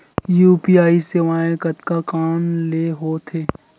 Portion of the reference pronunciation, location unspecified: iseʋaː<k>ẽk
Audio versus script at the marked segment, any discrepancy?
yes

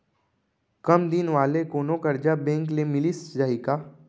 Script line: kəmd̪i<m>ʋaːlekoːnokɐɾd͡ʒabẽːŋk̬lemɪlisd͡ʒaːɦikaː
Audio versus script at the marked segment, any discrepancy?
yes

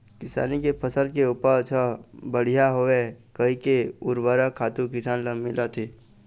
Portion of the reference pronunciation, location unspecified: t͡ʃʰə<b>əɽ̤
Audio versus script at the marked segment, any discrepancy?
no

